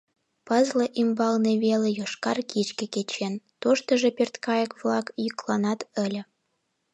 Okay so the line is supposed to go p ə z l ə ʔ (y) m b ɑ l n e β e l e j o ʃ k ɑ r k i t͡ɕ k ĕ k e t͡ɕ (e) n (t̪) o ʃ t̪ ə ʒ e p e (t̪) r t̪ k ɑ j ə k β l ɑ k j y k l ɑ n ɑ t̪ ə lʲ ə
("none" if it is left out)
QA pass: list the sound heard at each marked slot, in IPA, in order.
i, e, t̪, none

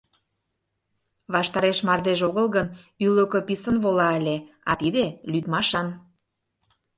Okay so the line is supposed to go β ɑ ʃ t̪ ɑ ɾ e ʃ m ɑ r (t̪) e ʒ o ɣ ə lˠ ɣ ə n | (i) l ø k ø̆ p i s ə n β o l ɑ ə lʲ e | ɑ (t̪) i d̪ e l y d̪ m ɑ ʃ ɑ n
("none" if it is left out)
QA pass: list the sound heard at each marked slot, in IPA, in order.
d̪, y, t̪

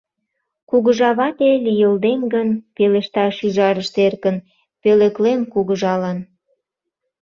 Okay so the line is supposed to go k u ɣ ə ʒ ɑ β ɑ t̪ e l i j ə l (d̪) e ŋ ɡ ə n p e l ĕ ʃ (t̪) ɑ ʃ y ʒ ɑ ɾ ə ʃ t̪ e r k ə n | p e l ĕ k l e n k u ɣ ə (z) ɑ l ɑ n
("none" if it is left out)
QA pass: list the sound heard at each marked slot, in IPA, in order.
d̪, t̪, ʒ

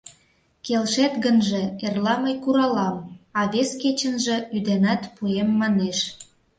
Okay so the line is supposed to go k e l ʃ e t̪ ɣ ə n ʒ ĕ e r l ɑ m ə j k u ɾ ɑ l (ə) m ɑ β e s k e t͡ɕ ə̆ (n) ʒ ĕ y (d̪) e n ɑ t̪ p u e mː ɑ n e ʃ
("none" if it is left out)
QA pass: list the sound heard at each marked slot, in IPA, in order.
ɑ, n, d̪

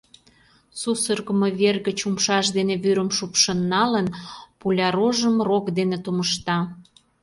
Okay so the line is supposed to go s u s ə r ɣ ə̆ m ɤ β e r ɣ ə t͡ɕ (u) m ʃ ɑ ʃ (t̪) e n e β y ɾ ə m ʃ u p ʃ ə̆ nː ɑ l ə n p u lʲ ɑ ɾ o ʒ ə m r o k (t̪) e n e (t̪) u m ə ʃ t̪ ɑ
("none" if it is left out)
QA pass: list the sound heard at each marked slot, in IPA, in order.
u, d̪, d̪, t̪

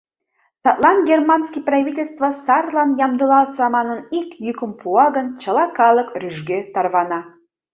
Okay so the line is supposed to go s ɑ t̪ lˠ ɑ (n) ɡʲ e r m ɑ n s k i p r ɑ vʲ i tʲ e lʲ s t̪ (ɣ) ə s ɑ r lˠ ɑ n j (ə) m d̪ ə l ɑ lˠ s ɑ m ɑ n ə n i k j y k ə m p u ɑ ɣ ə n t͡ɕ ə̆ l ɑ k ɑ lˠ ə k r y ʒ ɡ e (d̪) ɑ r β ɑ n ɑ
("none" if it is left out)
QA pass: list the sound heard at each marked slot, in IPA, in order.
n, v, ɑ, t̪

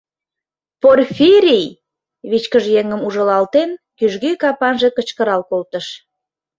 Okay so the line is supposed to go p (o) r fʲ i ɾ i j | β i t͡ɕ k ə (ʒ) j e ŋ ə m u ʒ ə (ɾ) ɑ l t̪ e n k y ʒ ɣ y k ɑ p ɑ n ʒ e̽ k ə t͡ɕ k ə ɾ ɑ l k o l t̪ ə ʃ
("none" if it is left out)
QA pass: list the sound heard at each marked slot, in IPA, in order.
o, ʒ, l

